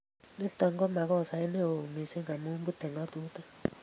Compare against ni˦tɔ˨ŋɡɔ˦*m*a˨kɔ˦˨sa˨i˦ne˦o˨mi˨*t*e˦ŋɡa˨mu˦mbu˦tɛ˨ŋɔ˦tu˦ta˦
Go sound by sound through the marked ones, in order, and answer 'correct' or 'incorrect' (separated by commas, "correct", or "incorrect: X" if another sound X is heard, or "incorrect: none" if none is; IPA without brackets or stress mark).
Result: correct, incorrect: s